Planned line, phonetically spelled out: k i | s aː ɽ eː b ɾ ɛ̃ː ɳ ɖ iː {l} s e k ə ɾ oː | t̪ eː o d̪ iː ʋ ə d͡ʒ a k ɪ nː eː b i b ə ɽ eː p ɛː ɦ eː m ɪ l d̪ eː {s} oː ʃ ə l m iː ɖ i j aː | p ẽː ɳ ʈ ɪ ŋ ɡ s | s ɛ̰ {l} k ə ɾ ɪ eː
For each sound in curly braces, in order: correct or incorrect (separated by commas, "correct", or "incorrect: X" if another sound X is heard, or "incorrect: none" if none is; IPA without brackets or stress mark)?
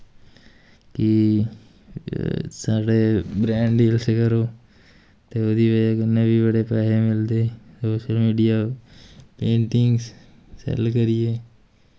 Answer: correct, correct, correct